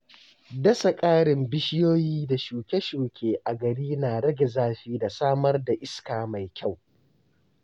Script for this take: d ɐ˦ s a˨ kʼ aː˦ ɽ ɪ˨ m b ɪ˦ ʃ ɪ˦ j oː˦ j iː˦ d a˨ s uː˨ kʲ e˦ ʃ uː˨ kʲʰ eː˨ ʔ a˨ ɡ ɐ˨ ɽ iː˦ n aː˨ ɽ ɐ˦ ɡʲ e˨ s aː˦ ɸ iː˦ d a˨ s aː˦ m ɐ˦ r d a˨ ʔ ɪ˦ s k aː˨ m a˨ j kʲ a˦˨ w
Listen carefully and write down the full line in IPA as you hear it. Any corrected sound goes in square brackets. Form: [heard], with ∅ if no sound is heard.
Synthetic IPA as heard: d ɐ˦ s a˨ kʼ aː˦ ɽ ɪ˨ m b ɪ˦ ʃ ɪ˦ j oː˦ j iː˦ d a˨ [ʃ] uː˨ kʲ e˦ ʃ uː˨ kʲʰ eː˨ ʔ a˨ ɡ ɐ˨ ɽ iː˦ n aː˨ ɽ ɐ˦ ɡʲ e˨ [z] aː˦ ɸ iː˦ d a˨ s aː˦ m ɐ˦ r d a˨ ʔ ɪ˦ s k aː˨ m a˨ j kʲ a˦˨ w